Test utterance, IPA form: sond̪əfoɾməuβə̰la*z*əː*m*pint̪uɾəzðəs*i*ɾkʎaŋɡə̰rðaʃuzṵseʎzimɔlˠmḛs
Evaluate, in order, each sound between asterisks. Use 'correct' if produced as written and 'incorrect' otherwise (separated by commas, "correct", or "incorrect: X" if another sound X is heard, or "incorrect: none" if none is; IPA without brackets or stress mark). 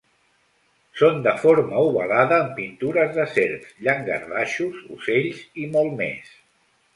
incorrect: ð, correct, incorrect: e